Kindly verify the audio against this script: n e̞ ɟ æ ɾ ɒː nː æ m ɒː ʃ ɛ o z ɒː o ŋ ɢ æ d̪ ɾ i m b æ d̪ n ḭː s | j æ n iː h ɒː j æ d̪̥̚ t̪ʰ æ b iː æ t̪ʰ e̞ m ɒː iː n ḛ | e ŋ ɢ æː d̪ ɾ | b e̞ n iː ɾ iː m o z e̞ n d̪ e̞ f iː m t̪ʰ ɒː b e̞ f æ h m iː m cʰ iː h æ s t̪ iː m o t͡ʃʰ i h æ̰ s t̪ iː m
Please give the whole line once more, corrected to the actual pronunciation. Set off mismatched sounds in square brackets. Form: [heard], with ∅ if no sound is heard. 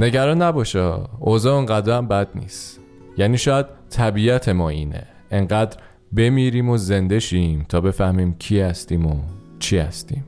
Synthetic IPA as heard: n e̞ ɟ æ ɾ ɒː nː æ [b] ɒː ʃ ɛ o z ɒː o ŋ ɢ æ d̪ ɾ [æ] m b æ d̪ n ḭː s | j æ n iː [ʃ] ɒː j æ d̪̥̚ t̪ʰ æ b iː æ t̪ʰ e̞ m ɒː iː n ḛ | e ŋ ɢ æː d̪ ɾ | b e̞ [m] iː ɾ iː m o z e̞ n d̪ e̞ [ʃ] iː m t̪ʰ ɒː b e̞ f æ h m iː m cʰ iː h æ s t̪ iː m o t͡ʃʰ i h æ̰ s t̪ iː m